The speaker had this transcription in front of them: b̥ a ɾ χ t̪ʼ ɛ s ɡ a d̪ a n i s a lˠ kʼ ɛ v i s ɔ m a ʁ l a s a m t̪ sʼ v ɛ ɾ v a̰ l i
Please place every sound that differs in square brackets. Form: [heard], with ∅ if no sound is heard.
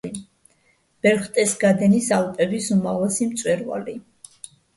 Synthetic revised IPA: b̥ [ɛ] ɾ χ t̪ʼ ɛ s ɡ a d̪ [ɛ] n i s a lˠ [pʼ] ɛ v i s [u] m a ʁ l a s [i] m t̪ sʼ [w] ɛ ɾ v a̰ l i